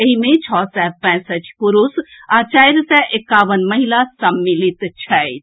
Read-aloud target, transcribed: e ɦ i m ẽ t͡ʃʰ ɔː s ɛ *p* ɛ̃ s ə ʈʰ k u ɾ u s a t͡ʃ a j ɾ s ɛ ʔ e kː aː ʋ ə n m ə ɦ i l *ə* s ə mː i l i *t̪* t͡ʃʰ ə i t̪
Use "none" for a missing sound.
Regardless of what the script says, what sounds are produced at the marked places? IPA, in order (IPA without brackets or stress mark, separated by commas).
p, a, t̪